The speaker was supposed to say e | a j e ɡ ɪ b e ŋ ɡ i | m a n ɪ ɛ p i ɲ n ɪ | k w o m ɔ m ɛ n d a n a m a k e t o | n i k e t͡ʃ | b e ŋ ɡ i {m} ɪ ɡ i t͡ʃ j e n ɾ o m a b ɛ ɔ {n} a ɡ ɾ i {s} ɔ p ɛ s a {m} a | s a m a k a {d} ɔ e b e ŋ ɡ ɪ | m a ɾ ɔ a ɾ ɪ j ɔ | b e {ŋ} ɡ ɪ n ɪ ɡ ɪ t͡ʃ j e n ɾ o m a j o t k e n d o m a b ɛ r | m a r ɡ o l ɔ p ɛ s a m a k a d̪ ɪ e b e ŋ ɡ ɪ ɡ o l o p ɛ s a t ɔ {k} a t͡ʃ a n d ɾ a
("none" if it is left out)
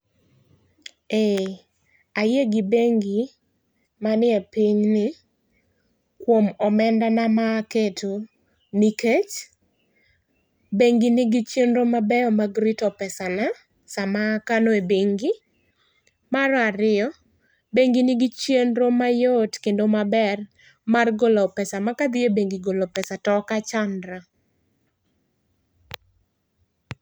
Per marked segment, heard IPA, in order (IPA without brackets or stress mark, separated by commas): n, m, t, n, n, ŋ, k